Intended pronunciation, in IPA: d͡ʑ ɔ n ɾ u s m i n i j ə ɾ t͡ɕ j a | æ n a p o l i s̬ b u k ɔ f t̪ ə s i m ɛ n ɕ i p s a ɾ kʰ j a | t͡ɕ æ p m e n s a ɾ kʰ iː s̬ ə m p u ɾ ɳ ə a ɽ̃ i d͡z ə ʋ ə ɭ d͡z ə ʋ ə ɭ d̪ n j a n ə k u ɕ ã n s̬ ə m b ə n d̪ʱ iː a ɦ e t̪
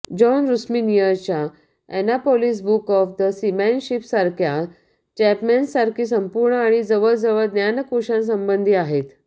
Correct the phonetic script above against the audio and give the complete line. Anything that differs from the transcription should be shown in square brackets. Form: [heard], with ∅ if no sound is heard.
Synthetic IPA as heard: d͡ʑ ɔ n ɾ u s m i n i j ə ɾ t͡ɕ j a | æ n a p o l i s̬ b u k ɔ f [d̪] ə s i m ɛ n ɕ i p s a ɾ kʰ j a | t͡ɕ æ p m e n s a ɾ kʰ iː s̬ ə m p u ɾ ɳ ə a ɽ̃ i d͡z ə ʋ ə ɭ d͡z ə ʋ ə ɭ d̪ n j a n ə k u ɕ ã n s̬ ə m b ə n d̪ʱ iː a ɦ e t̪